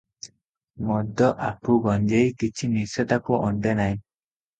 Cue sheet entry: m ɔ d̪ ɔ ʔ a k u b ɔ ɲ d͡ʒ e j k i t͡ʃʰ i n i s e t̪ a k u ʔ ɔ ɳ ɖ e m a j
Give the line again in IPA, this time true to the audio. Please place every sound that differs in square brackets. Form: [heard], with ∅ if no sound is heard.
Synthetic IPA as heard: m ɔ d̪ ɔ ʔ a [p] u [ɡ] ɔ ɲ d͡ʒ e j k i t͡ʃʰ i n i s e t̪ a k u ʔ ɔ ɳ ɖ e [n] a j